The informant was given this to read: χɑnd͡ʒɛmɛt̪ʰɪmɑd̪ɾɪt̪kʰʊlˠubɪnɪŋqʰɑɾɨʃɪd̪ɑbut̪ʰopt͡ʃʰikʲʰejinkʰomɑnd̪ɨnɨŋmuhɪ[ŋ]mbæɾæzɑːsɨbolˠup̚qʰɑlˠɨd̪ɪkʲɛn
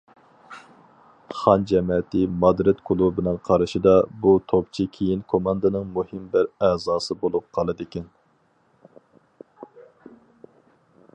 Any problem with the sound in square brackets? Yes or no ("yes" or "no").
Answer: yes